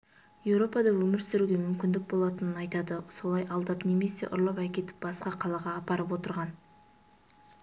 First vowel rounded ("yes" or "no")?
no